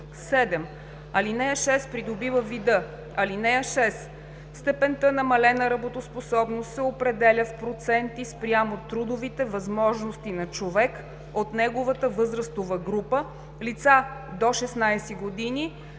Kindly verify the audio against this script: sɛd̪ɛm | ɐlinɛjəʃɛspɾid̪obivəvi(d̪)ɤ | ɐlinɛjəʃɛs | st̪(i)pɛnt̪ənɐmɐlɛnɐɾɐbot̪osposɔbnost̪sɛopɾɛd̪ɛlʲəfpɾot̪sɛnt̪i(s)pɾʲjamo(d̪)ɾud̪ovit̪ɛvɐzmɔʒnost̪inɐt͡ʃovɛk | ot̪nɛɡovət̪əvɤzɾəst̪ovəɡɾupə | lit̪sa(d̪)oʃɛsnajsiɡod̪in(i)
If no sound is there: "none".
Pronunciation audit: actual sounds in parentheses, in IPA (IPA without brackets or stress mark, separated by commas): d̪, ɛ, s, t̪, d̪, i